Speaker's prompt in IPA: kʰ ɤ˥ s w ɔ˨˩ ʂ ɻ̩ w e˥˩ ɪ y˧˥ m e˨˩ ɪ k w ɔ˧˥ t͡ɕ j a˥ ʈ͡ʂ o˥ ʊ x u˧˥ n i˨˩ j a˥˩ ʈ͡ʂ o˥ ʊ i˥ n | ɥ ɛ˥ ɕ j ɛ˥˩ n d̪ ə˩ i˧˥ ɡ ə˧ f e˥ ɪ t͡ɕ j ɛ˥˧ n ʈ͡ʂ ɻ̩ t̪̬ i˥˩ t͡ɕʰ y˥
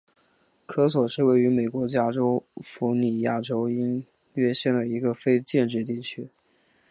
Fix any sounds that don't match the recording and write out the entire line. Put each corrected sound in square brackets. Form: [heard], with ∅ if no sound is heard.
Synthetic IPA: kʰ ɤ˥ s w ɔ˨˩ ʂ ɻ̩ w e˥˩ ɪ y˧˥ m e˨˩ ɪ k w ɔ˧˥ t͡ɕ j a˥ ʈ͡ʂ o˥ ʊ [f] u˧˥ n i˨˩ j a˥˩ ʈ͡ʂ o˥ ʊ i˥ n | ɥ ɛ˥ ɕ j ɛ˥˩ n d̪ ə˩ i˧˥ ɡ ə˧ f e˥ ɪ t͡ɕ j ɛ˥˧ n ʈ͡ʂ ɻ̩ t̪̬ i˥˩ t͡ɕʰ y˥